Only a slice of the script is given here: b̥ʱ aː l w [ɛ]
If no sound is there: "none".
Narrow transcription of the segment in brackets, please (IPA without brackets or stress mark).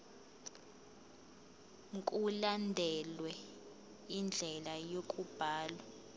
a